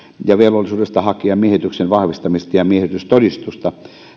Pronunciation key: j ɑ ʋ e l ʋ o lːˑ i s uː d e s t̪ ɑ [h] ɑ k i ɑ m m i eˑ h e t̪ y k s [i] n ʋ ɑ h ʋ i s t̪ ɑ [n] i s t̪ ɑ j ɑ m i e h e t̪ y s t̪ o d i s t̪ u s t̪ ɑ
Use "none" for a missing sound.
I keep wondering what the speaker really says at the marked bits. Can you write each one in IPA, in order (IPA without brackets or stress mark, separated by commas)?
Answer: h, e, m